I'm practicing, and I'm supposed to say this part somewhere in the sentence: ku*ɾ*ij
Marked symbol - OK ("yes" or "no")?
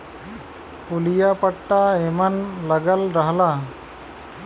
no